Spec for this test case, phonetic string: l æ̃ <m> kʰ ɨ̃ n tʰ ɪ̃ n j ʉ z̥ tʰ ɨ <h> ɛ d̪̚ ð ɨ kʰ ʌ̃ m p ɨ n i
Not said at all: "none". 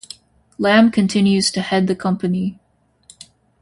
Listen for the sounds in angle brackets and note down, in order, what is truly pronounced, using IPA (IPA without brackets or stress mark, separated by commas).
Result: m, h